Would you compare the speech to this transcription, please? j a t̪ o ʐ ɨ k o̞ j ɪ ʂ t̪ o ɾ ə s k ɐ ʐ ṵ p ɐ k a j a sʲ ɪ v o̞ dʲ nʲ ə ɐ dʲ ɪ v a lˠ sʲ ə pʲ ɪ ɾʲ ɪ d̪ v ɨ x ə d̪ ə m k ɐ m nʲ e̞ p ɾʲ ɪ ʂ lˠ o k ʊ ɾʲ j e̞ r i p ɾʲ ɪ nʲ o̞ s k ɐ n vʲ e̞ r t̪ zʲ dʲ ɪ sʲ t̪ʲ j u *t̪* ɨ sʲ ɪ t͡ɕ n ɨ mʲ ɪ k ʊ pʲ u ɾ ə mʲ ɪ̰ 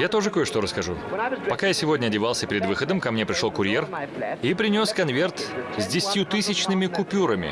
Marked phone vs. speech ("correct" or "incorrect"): correct